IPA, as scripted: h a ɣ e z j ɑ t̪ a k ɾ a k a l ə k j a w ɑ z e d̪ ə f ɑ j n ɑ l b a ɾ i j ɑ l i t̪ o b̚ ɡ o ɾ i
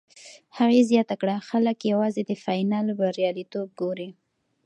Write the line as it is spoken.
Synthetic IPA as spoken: h a ɣ e z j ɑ t̪ a k ɽ a x a l ə k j a w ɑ z e d̪ ə f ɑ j n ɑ l b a ɾ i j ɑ l i t̪ o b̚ ɡ o ɾ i